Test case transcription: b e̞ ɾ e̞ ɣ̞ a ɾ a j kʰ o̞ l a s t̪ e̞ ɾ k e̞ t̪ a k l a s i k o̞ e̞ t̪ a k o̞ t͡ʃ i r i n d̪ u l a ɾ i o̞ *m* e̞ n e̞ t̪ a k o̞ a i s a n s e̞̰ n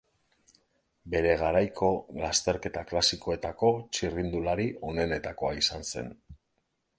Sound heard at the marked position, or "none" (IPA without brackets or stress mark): n